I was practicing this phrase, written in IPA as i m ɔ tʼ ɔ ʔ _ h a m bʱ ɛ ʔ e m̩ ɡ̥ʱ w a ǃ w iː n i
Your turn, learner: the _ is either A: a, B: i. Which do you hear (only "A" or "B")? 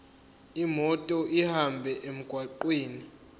B